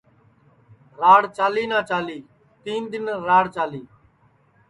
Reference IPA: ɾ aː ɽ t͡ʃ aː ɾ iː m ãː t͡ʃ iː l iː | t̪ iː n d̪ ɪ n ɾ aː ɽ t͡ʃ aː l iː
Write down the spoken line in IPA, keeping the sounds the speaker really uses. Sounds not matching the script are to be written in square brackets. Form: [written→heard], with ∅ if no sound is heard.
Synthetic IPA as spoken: ɾ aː ɽ t͡ʃ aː [ɾ→l] iː [m→n] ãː t͡ʃ [iː→aː] l iː | t̪ iː n d̪ ɪ n ɾ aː ɽ t͡ʃ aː l iː